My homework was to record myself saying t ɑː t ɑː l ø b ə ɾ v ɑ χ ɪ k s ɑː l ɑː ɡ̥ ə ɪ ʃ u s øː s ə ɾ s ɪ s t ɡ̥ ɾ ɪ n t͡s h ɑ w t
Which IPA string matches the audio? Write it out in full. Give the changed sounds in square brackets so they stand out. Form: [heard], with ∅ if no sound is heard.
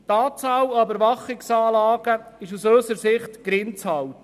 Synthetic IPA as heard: t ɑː [t͡s] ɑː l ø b ə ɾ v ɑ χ ɪ k s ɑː l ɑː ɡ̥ ə ɪ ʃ u s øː s ə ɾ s ɪ [χ] t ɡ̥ ɾ ɪ n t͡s h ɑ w t